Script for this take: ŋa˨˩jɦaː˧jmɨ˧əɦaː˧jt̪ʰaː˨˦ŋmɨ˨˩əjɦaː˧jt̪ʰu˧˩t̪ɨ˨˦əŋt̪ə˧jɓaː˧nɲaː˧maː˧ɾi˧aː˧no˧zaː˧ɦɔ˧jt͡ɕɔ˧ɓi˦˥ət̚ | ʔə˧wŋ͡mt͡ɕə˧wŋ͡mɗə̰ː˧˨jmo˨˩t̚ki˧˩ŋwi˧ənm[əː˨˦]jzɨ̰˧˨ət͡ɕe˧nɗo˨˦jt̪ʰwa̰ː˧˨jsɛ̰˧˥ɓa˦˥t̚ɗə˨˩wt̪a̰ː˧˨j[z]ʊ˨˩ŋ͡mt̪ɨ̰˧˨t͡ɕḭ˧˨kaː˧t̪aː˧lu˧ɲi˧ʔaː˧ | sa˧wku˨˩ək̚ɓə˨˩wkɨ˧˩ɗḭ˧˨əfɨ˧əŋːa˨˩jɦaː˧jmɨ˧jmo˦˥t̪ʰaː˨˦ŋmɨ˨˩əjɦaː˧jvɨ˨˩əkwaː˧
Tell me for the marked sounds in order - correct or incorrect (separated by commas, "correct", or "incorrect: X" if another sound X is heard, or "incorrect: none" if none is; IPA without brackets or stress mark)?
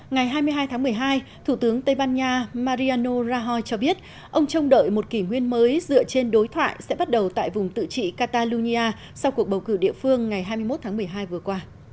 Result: correct, incorrect: v